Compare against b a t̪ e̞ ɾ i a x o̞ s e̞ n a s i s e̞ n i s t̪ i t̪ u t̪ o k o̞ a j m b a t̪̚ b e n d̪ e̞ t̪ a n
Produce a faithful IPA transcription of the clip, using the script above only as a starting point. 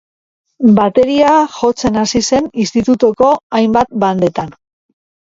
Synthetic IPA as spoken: b a t̪ e̞ ɾ i a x o̞ t͡s e̞ n a s i s e̞ n i s t̪ i t̪ u t̪ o k o̞ a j m b a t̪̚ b a n d̪ e̞ t̪ a n